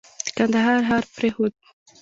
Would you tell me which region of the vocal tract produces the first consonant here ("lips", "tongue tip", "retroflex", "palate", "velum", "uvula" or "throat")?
velum